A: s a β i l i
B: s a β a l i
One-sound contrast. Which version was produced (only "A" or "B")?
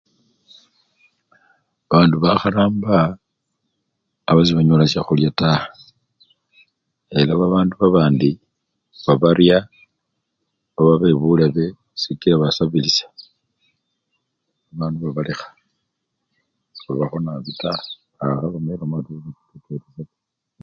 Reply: A